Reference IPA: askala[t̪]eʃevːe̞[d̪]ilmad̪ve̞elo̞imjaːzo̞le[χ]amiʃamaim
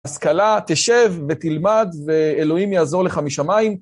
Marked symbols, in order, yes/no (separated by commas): yes, no, yes